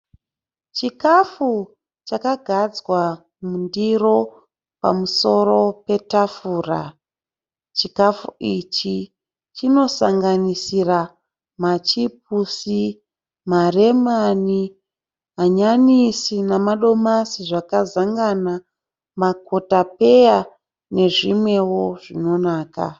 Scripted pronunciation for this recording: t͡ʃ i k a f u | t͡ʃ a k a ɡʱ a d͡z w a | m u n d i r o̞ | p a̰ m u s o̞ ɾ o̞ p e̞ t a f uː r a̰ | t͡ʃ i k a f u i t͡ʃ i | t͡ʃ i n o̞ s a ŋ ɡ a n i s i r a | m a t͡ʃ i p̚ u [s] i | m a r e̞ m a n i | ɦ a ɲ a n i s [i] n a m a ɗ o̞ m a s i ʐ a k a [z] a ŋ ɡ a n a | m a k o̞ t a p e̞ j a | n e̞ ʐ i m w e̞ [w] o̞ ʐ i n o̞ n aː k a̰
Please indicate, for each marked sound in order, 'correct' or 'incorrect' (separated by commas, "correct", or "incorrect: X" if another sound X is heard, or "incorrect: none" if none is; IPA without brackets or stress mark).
correct, correct, correct, correct